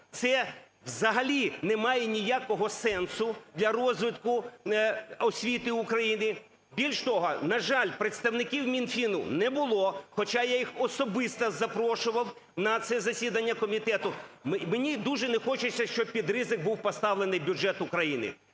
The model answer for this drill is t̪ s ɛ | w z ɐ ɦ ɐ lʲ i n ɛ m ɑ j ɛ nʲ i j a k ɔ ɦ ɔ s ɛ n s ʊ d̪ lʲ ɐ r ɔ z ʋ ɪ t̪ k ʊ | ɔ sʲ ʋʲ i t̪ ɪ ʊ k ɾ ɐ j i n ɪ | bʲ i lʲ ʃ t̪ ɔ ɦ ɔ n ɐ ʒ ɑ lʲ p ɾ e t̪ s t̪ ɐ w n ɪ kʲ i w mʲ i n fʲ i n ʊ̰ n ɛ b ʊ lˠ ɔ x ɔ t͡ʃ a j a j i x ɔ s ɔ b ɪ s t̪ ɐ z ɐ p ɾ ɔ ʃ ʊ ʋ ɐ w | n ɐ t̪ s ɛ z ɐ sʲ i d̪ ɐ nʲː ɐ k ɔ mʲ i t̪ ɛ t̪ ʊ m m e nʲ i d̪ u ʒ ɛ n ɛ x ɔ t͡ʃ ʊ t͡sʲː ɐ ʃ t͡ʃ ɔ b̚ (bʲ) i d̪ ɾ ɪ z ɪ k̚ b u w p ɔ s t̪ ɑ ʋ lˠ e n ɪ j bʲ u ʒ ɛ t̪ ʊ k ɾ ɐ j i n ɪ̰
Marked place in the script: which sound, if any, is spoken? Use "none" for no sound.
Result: pʲ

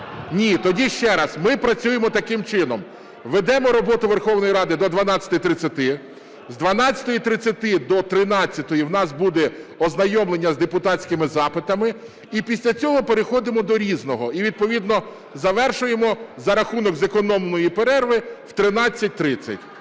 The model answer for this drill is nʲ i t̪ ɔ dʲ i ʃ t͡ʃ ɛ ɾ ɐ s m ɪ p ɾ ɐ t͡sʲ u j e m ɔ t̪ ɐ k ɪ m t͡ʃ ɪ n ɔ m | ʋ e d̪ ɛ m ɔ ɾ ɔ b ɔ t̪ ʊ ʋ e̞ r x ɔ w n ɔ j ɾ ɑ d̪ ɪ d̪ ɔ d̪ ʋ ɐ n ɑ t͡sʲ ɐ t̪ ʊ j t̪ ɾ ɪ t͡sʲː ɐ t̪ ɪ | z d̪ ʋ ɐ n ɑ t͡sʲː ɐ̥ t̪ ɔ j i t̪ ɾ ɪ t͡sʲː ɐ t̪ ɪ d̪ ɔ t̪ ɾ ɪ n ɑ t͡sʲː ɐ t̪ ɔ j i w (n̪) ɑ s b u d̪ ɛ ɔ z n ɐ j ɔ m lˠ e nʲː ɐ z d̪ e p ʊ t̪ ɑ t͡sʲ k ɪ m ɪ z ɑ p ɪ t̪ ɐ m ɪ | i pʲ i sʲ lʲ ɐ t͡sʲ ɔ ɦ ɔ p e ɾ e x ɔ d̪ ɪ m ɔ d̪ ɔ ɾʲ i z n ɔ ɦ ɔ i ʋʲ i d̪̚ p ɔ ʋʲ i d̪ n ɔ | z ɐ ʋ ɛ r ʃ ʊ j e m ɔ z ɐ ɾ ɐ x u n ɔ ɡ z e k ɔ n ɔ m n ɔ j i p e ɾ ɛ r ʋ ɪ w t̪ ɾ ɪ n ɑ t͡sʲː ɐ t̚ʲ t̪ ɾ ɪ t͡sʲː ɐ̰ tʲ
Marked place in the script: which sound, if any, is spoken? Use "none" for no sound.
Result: n̪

